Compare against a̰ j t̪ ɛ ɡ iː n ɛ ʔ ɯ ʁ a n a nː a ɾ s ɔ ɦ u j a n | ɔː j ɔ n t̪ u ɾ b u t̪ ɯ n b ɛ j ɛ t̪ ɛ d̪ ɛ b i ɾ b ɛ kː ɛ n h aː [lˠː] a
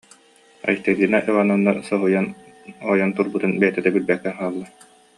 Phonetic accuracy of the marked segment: correct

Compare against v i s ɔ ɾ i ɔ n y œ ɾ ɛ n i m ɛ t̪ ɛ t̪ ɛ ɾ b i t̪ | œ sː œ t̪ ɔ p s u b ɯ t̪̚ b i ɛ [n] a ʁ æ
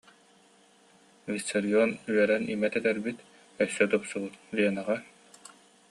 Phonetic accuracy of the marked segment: correct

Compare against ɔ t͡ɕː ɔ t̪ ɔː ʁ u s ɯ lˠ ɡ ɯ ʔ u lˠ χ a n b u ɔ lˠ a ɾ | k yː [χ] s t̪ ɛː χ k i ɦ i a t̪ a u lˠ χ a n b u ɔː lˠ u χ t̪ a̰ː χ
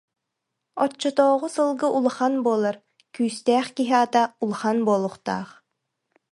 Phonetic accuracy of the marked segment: incorrect: none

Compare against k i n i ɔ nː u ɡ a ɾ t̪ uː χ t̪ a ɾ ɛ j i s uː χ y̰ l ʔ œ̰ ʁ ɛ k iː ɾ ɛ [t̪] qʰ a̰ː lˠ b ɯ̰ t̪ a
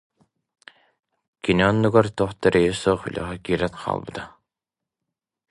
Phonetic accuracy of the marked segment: correct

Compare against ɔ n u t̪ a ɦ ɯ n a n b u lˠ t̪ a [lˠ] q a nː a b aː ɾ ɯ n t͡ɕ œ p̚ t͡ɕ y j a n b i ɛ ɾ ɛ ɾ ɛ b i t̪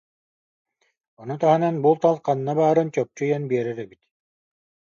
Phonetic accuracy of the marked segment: correct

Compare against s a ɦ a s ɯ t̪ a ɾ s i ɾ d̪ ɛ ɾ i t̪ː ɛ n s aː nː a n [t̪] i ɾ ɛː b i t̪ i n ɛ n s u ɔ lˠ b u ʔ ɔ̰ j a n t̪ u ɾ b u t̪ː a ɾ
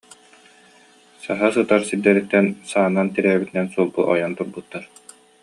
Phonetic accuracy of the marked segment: correct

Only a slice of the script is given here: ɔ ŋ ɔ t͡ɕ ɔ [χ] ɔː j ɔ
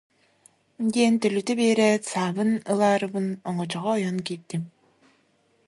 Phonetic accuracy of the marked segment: incorrect: ʁ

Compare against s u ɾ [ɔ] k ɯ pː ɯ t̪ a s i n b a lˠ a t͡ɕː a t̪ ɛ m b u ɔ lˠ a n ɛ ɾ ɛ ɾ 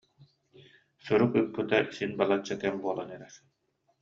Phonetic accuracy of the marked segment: incorrect: u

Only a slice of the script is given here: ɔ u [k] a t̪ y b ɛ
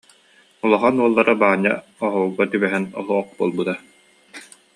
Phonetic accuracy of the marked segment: incorrect: ɡ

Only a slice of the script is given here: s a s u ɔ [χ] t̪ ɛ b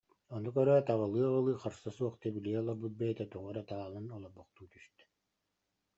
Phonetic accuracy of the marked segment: correct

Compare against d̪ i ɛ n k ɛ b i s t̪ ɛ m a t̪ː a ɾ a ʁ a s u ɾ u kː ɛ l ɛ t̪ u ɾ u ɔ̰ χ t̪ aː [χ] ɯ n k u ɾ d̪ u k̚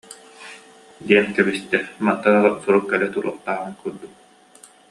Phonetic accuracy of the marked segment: incorrect: ʁ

